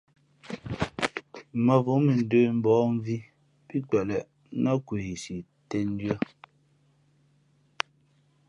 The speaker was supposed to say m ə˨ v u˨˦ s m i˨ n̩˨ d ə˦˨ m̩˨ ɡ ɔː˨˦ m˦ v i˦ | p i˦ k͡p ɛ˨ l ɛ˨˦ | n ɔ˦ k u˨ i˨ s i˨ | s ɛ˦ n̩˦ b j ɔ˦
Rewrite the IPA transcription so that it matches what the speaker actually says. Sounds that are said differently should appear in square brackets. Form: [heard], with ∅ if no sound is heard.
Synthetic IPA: m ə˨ v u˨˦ [∅] m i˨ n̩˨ d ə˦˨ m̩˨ [b] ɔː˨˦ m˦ v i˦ | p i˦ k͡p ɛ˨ l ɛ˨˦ | n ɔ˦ k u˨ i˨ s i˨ | [t] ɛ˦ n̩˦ [d] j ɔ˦